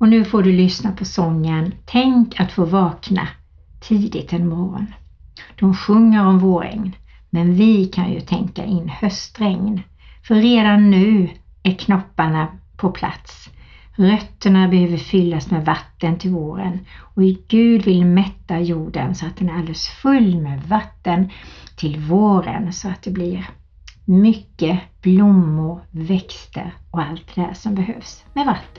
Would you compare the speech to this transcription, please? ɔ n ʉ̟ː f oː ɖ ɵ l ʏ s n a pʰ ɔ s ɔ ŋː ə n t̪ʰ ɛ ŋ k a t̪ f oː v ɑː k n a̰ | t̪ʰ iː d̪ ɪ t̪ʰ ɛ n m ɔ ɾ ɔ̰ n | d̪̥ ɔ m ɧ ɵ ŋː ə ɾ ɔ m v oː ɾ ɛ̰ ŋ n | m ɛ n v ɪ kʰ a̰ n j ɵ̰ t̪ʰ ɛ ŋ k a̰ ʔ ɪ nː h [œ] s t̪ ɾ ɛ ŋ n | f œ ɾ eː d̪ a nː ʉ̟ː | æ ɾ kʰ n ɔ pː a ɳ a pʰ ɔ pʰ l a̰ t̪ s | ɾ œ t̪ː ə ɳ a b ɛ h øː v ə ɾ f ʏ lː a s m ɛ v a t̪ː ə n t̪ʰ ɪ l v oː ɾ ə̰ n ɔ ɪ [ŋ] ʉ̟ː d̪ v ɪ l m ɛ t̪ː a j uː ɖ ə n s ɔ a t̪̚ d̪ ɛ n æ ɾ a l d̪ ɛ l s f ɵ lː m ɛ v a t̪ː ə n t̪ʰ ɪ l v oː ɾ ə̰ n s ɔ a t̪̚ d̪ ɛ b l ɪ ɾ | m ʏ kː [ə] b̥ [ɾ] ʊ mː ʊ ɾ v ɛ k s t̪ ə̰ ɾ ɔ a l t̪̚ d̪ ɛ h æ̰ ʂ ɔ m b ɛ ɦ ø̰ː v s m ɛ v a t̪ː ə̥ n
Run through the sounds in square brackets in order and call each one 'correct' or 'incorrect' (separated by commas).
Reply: correct, incorrect, correct, incorrect